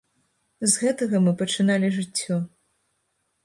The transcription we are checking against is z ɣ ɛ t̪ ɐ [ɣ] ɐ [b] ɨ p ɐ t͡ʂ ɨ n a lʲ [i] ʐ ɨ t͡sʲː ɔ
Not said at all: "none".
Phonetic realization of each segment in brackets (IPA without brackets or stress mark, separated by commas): ɣ, m, i